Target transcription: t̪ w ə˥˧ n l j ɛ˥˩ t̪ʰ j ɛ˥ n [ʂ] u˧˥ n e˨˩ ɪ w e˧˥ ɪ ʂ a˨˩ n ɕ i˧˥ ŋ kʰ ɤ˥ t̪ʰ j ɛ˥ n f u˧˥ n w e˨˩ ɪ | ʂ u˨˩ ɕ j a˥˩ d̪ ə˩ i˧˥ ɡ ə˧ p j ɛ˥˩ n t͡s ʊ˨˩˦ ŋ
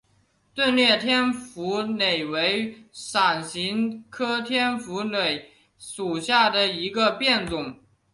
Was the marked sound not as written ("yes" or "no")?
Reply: yes